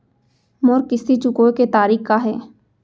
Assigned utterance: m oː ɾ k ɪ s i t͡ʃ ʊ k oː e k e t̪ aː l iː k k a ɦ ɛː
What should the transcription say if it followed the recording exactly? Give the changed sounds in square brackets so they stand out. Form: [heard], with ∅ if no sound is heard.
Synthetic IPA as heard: m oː ɾ k ɪ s i t͡ʃ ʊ k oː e k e t̪ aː [ɾ] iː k k a ɦ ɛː